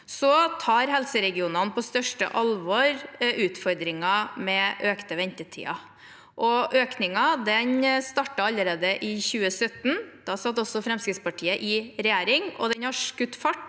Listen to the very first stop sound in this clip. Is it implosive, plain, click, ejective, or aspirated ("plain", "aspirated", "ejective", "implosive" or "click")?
aspirated